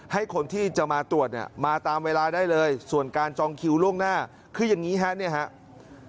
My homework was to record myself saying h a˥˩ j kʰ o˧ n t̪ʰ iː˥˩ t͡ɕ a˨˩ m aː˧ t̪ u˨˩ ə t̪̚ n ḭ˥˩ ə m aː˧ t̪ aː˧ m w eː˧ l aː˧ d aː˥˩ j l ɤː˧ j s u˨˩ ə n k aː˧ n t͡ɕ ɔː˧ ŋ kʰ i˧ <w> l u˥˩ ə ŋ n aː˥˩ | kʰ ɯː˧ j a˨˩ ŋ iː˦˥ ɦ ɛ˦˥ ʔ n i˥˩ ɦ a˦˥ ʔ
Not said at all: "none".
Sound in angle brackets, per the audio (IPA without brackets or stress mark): w